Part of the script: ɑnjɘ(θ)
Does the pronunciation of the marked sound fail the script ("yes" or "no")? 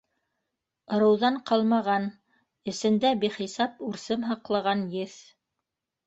no